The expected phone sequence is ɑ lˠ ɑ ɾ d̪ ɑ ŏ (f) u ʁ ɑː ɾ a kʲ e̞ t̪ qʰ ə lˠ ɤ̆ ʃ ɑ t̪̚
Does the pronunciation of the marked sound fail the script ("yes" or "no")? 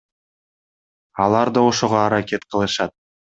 yes